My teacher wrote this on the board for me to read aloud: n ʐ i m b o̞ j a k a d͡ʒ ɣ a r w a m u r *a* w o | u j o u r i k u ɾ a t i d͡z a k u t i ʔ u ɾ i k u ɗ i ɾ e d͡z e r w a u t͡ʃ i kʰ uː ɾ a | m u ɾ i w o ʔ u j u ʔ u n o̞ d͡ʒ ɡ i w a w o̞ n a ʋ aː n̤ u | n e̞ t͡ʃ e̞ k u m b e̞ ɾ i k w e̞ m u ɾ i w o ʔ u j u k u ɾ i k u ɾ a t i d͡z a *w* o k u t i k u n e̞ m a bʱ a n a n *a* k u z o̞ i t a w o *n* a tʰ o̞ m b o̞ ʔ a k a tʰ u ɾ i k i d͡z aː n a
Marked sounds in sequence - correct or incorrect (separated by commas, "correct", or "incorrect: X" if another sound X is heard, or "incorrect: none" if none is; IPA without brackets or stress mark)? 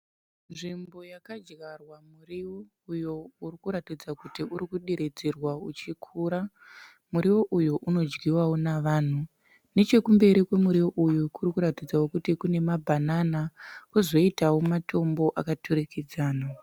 incorrect: i, correct, correct, incorrect: m